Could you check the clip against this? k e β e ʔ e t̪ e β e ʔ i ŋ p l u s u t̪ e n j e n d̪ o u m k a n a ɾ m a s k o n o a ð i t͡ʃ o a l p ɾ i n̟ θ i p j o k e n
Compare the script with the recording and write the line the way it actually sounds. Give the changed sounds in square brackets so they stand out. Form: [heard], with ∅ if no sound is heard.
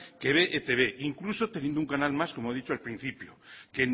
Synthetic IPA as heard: k e β e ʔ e t̪ e β e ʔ i ŋ [k] l u s [o] t̪ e n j e n d̪ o u [ŋ] k a n a [l] m a s k o [m] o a ð i t͡ʃ o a l p ɾ i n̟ θ i p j o k e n

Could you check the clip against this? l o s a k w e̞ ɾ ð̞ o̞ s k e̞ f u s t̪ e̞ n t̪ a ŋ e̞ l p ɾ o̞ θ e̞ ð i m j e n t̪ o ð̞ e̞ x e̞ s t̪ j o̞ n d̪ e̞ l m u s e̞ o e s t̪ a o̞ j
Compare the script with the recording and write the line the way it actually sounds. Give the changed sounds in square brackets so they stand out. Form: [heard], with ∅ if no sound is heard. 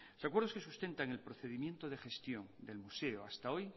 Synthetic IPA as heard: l o s a k w e̞ ɾ ð̞ o̞ s k e̞ [s] u s t̪ e̞ n t̪ a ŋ e̞ l p ɾ o̞ θ e̞ ð i m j e n t̪ o ð̞ e̞ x e̞ s t̪ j o̞ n d̪ e̞ l m u s e̞ o [a] s t̪ a o̞ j

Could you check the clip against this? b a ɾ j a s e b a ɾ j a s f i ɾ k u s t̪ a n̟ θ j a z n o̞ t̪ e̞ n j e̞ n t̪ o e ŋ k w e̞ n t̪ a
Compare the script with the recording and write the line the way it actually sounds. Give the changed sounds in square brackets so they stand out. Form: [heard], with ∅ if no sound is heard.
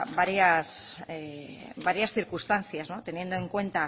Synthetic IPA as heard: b a ɾ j a s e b a ɾ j a s [θ] i ɾ k u s t̪ a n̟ θ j a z n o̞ t̪ e̞ n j e̞ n [d̪] o e ŋ k w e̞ n t̪ a

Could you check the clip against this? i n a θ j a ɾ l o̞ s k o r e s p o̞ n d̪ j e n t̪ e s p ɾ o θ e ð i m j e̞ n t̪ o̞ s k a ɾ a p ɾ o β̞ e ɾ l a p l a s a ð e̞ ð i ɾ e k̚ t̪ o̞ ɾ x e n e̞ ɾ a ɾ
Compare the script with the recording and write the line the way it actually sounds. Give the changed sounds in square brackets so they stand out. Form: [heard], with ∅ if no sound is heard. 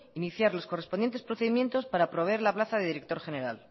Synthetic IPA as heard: i n [i] θ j a ɾ l o̞ s k o r e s p o̞ n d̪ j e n t̪ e s p ɾ o θ e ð i m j e̞ n t̪ o̞ s [p] a ɾ a p ɾ o β̞ e ɾ l a p l a [θ] a ð e̞ ð i ɾ e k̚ t̪ o̞ ɾ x e n e̞ ɾ a [l]

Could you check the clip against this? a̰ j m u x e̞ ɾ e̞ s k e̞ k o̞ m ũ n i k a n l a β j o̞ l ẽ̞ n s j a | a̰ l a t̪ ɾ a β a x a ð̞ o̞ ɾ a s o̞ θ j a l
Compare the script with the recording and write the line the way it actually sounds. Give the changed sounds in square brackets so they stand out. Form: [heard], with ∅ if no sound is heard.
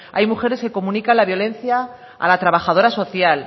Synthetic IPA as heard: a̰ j m u x e̞ ɾ e̞ s k e̞ k o̞ m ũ n i k a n l a β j o̞ l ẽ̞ n [θ] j a | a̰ l a t̪ ɾ a β a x a ð̞ o̞ ɾ a s o̞ θ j a l

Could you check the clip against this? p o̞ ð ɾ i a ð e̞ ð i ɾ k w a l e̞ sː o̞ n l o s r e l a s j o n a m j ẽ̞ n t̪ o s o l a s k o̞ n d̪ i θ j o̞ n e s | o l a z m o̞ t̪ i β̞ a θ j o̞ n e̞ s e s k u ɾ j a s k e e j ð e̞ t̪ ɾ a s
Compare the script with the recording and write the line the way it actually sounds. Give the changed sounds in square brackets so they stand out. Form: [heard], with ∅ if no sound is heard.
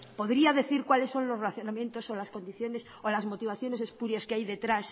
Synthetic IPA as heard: p o̞ ð ɾ i a ð e̞ [θ] i ɾ k w a l e̞ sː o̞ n l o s r e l a [θ] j o n a m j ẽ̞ n t̪ o s o l a s k o̞ n d̪ i θ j o̞ n e s | o l a z m o̞ t̪ i β̞ a θ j o̞ n e̞ s e s [p] u ɾ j a s k e [a] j ð e̞ t̪ ɾ a s

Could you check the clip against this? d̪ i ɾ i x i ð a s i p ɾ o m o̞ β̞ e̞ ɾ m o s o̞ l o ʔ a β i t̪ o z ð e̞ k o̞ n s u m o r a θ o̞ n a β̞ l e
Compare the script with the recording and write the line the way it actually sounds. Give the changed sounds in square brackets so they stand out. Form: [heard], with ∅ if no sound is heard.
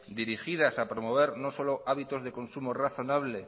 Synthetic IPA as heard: d̪ i ɾ i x i ð a s [a] p ɾ o m o̞ β̞ e̞ ɾ [n] o s o̞ l o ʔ a β i t̪ o z ð e̞ k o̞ n s u m o r a θ o̞ n a β̞ l e

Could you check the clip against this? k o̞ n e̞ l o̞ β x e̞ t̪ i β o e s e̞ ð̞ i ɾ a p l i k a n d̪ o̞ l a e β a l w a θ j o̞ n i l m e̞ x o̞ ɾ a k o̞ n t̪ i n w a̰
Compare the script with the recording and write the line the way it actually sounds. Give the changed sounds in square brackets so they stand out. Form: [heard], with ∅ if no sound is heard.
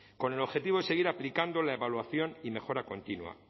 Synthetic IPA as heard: k o̞ n e̞ l o̞ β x e̞ t̪ i β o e s e̞ [ɣ̞] i ɾ a p l i k a n d̪ o̞ l a e β a l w a θ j o̞ n i [∅] m e̞ x o̞ ɾ a k o̞ n t̪ i n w a̰

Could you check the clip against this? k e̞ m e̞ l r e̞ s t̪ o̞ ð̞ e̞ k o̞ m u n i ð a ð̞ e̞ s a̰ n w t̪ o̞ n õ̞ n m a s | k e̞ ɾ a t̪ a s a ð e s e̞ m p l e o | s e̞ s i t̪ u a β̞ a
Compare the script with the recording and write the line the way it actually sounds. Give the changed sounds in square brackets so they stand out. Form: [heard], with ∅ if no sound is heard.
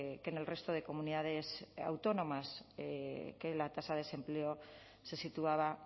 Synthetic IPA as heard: k e̞ [n] e̞ l r e̞ s t̪ o̞ ð̞ e̞ k o̞ m u n i ð a ð̞ e̞ s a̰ [∅] w t̪ o̞ n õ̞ [∅] m a s | k e̞ [l] a t̪ a s a ð e s e̞ m p l e o | s e̞ s i t̪ u a β̞ a

